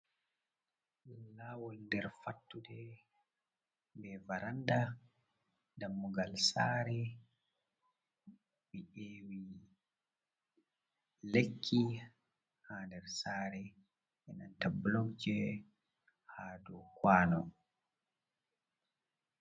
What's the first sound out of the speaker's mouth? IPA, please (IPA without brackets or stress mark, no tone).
l